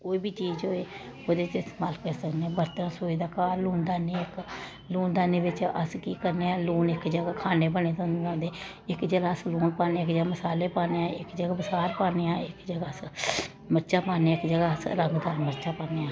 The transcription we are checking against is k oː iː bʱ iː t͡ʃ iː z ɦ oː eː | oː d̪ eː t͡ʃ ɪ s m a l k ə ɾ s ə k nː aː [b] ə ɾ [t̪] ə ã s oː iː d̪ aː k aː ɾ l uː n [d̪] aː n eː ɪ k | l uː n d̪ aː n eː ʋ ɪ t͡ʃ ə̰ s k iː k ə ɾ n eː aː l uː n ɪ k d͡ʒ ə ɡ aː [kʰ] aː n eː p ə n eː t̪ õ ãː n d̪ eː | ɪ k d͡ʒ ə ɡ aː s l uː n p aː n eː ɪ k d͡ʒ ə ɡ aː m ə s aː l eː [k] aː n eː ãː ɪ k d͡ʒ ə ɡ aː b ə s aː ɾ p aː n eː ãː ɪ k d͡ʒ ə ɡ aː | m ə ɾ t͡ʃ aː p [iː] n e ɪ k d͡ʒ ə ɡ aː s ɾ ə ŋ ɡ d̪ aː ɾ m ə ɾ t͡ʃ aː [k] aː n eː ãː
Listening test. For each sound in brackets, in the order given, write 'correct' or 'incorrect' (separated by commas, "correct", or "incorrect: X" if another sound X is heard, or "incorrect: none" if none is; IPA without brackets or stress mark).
correct, correct, correct, correct, incorrect: p, incorrect: aː, incorrect: p